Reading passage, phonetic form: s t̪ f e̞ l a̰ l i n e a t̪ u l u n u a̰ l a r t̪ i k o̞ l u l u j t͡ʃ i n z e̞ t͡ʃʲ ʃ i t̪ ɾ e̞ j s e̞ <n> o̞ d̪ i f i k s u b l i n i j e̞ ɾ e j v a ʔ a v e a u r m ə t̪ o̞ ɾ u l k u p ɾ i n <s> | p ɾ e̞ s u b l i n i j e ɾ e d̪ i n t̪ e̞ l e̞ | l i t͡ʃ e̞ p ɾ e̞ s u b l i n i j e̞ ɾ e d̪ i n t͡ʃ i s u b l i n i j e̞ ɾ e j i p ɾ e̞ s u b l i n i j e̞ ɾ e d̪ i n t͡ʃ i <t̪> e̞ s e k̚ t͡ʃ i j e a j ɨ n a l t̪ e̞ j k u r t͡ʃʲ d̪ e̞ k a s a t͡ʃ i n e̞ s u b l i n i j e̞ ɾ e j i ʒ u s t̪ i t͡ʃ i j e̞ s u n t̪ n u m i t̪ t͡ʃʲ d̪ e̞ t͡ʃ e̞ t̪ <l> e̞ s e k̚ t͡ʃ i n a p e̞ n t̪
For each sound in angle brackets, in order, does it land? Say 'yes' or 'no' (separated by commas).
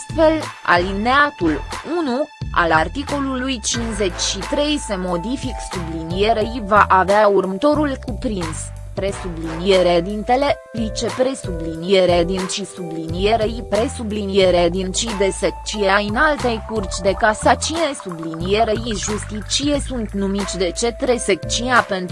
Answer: no, yes, no, no